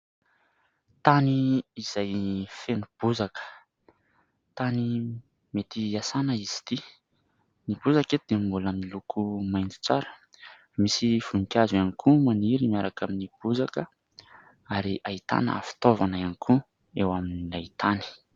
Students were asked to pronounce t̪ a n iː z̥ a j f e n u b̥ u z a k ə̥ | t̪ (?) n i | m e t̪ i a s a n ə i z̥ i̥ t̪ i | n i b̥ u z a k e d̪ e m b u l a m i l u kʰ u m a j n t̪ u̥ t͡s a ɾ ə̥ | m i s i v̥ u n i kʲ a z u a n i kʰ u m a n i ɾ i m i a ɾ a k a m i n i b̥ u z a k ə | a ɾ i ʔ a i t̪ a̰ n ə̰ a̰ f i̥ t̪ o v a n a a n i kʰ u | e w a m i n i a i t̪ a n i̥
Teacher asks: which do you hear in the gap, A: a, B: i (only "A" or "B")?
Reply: A